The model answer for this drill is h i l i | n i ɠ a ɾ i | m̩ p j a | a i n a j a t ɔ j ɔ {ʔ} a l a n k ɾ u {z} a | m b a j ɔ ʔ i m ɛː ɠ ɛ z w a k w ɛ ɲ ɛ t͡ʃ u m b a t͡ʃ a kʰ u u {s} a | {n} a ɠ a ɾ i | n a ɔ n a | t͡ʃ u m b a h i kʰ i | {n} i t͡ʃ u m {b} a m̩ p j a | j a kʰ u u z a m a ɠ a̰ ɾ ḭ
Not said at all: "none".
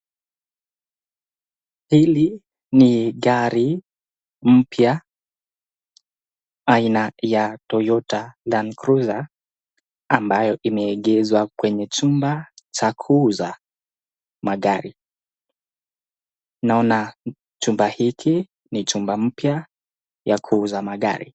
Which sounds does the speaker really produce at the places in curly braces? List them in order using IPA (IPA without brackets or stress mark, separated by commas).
t, z, z, m, n, b